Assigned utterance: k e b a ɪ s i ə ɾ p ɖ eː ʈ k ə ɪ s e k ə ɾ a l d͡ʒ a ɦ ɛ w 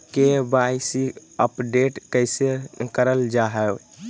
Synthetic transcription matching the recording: k e b a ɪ s i ə p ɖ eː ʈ k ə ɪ s e k ə ɾ ə l d͡ʒ a ɦ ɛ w